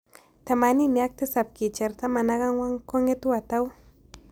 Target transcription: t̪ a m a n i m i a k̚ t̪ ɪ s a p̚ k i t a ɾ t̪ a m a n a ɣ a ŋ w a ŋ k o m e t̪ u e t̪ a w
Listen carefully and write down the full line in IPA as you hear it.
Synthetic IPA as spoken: t̪ a m a n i m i a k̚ t̪ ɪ s a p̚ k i t͡ʃ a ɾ t̪ a m a n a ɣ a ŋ w a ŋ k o ŋ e t̪ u a t̪ a w